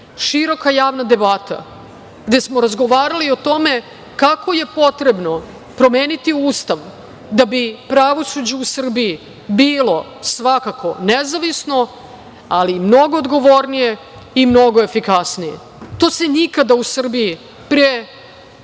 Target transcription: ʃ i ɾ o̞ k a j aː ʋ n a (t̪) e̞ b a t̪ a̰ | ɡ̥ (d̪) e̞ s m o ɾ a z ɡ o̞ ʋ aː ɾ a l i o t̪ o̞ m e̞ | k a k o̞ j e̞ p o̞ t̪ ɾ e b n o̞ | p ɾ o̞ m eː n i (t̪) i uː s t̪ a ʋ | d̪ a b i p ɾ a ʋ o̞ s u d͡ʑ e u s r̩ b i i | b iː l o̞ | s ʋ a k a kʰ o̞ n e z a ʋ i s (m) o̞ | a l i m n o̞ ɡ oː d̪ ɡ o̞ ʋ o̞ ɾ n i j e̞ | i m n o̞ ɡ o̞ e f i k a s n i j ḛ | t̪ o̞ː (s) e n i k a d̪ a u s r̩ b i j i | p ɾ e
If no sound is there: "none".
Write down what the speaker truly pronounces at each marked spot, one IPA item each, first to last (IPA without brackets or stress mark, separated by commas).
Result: d̪, d̪, t̪, n, s